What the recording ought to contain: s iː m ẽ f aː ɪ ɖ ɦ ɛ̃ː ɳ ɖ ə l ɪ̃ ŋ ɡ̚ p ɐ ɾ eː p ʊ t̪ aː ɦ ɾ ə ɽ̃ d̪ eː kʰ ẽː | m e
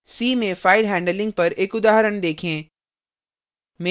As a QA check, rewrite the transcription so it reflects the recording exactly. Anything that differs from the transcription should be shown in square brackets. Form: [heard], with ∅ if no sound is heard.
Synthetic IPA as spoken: s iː m ẽ f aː ɪ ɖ ɦ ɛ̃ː ɳ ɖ ə l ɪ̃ ŋ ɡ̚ p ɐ ɾ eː [k] ʊ [d̪] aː ɦ ɾ ə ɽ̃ d̪ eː kʰ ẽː | m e